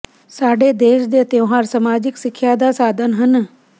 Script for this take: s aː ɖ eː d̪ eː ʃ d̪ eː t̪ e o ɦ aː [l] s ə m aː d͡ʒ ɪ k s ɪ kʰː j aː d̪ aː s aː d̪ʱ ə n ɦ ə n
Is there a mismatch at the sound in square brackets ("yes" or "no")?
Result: yes